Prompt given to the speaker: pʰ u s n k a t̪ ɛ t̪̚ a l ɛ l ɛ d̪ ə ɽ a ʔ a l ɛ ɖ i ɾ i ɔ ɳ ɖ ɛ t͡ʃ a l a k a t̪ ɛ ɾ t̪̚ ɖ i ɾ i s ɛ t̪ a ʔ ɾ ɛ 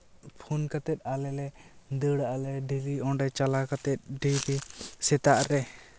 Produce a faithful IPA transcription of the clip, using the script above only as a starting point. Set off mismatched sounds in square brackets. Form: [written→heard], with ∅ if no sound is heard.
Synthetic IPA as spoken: pʰ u [s→∅] n k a t̪ ɛ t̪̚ a l ɛ l ɛ d̪ ə ɽ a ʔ a l ɛ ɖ i ɾ i ɔ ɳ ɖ ɛ t͡ʃ a l a k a t̪ ɛ [ɾ→∅] t̪̚ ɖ i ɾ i s ɛ t̪ a ʔ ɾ ɛ